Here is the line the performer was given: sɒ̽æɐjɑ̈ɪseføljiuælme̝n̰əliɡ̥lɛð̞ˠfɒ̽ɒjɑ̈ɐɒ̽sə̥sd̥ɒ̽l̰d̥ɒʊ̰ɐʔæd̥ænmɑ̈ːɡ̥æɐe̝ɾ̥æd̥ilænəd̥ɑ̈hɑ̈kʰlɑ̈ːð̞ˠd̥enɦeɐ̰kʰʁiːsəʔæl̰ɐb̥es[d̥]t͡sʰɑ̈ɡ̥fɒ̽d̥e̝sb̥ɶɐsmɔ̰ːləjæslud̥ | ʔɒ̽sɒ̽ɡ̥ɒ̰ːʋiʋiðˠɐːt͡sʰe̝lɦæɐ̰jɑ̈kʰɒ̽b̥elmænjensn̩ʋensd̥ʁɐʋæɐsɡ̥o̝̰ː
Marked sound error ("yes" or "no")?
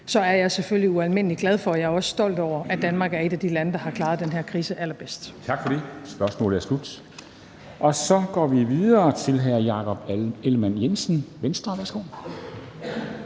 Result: no